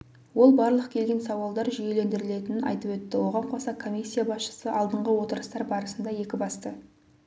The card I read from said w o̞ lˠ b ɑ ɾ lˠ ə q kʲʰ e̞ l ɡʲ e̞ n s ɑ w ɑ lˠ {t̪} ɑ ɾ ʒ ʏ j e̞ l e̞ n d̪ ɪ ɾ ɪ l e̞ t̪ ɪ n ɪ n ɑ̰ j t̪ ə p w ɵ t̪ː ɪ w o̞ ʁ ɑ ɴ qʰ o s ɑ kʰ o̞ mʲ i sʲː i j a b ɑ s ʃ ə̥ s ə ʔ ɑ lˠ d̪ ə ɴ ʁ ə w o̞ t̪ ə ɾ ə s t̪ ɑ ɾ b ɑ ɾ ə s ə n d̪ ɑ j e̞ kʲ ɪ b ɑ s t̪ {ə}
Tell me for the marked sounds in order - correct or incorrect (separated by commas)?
incorrect, correct